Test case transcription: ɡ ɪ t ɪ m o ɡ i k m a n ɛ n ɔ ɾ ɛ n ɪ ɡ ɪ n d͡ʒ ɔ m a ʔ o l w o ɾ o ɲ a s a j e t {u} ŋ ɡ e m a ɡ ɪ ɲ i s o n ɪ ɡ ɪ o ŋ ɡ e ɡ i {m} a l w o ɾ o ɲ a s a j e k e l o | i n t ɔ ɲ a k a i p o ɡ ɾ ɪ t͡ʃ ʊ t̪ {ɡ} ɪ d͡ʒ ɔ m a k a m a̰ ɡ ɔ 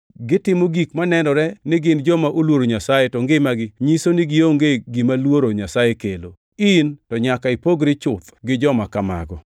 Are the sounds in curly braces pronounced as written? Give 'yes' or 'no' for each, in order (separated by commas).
no, yes, yes